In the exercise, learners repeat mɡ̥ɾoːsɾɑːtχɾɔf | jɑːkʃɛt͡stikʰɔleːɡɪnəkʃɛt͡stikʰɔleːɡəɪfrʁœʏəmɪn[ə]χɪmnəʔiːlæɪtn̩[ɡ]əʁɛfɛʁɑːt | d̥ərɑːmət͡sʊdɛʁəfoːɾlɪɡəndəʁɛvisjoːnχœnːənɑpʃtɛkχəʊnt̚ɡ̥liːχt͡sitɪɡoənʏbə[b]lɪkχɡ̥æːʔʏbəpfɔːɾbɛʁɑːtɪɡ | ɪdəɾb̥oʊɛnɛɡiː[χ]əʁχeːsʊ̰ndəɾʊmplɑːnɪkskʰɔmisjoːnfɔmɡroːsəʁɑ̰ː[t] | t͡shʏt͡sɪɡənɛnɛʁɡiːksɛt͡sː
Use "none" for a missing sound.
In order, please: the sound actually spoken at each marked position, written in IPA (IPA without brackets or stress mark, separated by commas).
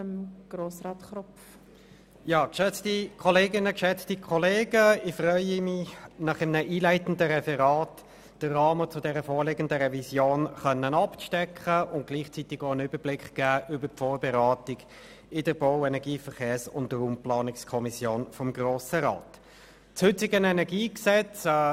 ɑ, d, b, f, t